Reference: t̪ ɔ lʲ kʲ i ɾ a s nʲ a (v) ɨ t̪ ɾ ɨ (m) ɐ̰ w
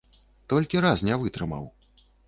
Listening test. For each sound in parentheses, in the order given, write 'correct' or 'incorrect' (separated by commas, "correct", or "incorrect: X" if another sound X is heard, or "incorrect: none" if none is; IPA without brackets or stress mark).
correct, correct